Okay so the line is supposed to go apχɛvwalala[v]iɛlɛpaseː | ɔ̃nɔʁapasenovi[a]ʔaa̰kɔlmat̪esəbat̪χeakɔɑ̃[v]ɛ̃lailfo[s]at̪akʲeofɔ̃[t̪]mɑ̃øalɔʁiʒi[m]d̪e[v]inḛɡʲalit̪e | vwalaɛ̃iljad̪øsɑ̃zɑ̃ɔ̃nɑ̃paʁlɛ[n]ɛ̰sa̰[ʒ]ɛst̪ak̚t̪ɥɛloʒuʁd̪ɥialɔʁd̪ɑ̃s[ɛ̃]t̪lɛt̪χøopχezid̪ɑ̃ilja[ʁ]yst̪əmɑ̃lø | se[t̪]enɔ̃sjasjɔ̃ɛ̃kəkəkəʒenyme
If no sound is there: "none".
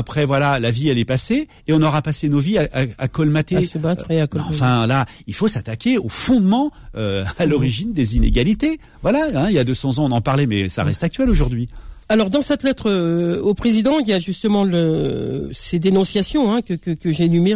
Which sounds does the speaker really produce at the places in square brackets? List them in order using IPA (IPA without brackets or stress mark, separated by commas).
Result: v, a, f, s, d̪, n, z, m, ʁ, ɛ, ʒ, d̪